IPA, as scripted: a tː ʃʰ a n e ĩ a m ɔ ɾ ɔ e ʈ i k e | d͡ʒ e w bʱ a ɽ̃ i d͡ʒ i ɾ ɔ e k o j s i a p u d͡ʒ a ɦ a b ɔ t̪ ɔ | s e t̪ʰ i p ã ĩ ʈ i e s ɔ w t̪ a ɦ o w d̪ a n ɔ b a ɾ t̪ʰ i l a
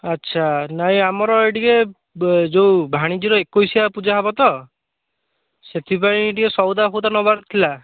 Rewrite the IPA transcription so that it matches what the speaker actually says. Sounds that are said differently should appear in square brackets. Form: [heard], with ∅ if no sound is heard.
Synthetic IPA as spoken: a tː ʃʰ a n [a] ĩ a m ɔ ɾ ɔ e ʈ i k e | d͡ʒ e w bʱ a ɽ̃ i d͡ʒ i ɾ ɔ e k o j s i a p u d͡ʒ a ɦ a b ɔ t̪ ɔ | s e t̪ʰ i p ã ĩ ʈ i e s ɔ w [d̪] a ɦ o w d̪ a n ɔ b a ɾ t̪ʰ i l a